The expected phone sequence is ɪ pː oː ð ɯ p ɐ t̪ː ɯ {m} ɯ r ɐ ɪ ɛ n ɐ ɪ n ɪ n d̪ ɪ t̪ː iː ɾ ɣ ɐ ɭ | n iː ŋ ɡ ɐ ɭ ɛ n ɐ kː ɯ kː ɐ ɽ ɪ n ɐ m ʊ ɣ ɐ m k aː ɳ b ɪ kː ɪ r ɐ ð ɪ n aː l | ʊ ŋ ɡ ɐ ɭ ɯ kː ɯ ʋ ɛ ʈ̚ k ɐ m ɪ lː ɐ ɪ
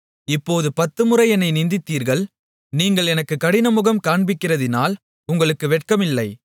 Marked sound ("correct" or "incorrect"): correct